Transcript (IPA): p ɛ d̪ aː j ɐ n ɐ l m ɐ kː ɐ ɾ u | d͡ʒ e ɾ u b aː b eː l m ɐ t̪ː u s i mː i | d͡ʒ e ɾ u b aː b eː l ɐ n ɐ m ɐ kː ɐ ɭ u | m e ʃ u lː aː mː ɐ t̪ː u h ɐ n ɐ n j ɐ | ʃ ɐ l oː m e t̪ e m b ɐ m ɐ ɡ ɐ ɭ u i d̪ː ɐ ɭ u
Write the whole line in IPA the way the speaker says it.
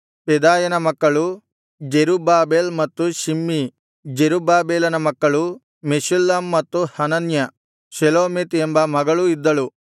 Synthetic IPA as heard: p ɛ d̪ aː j ɐ n ɐ m ɐ kː ɐ ɭ u | d͡ʒ e ɾ u b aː b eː l m ɐ t̪ː u ʃ i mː i | d͡ʒ e ɾ u b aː b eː l ɐ n ɐ m ɐ kː ɐ ɭ u | m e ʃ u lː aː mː ɐ t̪ː u h ɐ n ɐ n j ɐ | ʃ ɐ l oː m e t̪ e m b ɐ m ɐ ɡ ɐ ɭ u i d̪ː ɐ ɭ u

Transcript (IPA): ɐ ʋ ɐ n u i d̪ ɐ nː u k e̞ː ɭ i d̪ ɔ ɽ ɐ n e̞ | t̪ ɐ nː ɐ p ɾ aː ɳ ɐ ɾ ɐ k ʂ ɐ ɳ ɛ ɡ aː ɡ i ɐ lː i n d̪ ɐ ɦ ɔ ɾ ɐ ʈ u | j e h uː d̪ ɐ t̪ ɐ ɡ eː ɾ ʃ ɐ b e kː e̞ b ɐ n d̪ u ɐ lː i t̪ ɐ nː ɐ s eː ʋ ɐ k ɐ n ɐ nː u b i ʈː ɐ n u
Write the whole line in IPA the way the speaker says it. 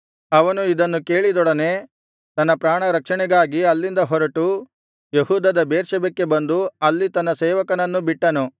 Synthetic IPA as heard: ɐ ʋ ɐ n u i d̪ ɐ nː u k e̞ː ɭ i d̪ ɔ ɽ ɐ n e̞ | t̪ ɐ nː ɐ p ɾ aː ɳ ɐ ɾ ɐ k ʂ ɐ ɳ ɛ ɡ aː ɡ i ɐ lː i n d̪ ɐ ɦ ɔ ɾ ɐ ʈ u | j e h uː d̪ ɐ d̪ ɐ b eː ɾ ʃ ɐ b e kː e̞ b ɐ n d̪ u ɐ lː i t̪ ɐ nː ɐ s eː ʋ ɐ k ɐ n ɐ nː u b i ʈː ɐ n u

